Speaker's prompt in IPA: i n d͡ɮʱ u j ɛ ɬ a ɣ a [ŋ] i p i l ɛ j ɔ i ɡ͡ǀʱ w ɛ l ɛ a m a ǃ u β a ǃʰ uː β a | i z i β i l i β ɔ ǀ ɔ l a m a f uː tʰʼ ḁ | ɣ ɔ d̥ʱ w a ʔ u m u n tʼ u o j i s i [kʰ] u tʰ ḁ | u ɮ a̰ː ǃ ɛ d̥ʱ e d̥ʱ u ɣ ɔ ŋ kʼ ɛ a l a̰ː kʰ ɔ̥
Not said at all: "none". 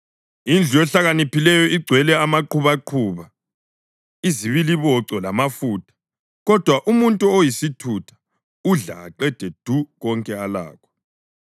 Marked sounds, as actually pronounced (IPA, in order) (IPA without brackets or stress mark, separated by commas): n, tʰ